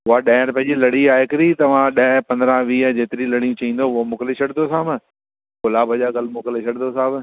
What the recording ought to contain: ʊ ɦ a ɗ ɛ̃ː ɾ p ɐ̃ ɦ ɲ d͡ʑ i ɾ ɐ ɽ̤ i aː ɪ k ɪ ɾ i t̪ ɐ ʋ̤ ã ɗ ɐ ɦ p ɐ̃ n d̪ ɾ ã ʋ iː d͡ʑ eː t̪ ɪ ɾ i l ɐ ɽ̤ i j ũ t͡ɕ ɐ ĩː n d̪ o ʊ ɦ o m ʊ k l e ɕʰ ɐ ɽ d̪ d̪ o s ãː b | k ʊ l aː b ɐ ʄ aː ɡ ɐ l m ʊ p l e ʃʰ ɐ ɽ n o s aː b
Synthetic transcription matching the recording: ʊ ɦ a ɗ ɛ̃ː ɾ p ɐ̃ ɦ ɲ d͡ʑ i l ɐ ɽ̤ i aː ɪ k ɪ ɾ i t̪ ɐ ʋ̤ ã ɗ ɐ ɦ p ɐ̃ n d̪ ɾ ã ʋ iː d͡ʑ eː t̪ ɪ ɾ i l ɐ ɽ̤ i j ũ t͡ɕ ɐ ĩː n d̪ o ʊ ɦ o m ʊ k l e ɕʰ ɐ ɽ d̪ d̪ o s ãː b | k ʊ l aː b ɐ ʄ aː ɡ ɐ l m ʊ k l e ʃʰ ɐ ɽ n o s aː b